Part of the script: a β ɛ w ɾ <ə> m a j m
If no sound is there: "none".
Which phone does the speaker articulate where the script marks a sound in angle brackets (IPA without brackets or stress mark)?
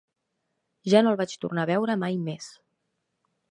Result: ə